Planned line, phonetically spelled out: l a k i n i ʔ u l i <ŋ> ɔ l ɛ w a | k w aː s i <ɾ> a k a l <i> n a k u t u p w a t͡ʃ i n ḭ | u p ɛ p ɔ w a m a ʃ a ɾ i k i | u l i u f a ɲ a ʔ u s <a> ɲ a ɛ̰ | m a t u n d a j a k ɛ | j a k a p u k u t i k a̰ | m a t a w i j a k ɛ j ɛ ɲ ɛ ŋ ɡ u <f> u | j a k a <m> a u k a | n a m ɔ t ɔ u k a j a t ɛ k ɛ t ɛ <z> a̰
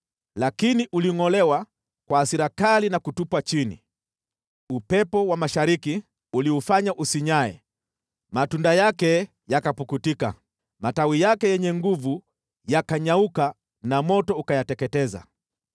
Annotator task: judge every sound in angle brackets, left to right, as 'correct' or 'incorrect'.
correct, correct, correct, incorrect, incorrect, incorrect, correct

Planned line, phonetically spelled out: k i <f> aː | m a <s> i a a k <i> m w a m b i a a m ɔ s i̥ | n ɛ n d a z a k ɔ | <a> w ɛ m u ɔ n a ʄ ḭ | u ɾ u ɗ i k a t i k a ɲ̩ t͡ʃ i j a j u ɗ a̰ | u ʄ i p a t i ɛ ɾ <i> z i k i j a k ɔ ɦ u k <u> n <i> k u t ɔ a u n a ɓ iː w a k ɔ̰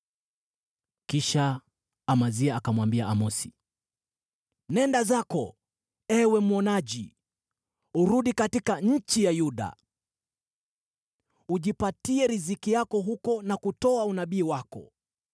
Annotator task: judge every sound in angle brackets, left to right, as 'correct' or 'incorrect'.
incorrect, incorrect, incorrect, incorrect, correct, incorrect, incorrect

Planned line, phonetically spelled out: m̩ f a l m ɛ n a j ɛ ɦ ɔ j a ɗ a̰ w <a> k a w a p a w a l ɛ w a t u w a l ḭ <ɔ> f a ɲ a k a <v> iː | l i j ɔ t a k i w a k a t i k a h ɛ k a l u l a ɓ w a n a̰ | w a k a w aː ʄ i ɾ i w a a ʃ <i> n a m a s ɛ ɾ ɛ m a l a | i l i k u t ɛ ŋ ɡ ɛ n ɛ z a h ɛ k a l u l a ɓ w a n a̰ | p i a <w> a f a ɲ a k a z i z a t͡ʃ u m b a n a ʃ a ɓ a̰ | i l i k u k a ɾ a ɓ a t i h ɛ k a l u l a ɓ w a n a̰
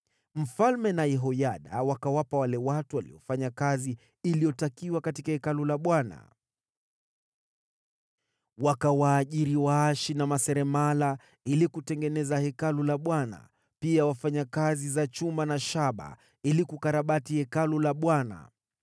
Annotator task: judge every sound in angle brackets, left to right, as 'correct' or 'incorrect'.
correct, correct, incorrect, correct, correct

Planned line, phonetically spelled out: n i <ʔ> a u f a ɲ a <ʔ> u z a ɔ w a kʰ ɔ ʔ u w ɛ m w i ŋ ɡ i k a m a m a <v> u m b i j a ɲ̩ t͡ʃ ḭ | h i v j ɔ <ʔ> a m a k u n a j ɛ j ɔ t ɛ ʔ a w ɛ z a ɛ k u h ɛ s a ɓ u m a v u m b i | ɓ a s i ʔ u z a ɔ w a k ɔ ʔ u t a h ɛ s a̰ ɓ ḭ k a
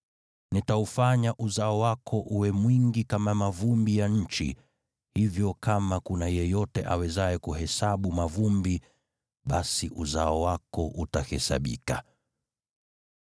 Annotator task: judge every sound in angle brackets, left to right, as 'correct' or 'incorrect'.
incorrect, correct, correct, incorrect

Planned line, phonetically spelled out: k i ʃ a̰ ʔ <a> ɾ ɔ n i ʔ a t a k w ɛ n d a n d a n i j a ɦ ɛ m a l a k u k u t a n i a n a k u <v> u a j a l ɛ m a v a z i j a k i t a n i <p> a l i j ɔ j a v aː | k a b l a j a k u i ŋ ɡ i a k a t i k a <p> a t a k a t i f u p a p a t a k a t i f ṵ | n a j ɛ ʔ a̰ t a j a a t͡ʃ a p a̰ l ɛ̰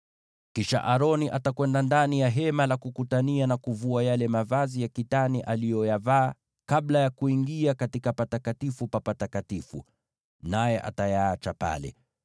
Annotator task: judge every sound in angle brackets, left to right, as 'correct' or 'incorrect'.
correct, correct, incorrect, correct

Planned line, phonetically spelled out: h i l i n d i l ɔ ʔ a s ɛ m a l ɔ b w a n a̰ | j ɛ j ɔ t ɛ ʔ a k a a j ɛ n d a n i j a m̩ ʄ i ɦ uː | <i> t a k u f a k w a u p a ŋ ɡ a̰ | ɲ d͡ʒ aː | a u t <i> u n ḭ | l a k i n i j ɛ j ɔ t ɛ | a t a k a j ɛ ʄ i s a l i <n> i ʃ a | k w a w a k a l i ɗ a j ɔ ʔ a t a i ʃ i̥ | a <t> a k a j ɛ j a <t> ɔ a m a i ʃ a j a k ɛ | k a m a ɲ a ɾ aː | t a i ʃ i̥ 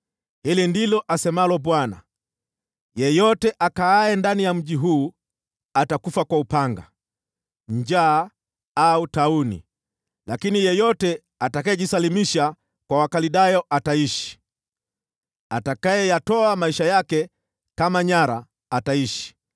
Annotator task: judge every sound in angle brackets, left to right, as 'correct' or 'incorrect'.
incorrect, incorrect, incorrect, correct, correct

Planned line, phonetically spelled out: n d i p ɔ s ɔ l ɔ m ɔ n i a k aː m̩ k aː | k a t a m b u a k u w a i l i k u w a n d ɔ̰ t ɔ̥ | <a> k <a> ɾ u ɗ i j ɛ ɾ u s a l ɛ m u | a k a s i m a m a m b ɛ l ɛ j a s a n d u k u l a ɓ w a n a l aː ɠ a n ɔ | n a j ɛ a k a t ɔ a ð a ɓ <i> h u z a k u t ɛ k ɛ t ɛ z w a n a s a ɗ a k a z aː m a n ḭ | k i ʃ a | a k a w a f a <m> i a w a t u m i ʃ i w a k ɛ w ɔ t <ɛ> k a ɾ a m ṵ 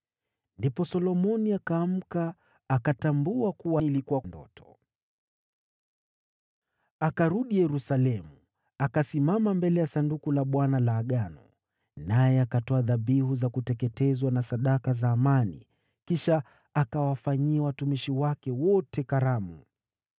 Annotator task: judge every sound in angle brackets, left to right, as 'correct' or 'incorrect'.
correct, correct, correct, incorrect, correct

